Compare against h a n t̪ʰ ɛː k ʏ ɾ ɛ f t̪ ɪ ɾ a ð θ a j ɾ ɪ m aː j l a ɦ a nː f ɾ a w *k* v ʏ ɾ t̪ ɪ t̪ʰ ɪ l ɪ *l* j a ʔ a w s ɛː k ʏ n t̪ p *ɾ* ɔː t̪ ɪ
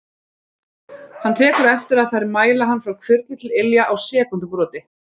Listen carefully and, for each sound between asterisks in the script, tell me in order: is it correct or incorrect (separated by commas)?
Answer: incorrect, correct, correct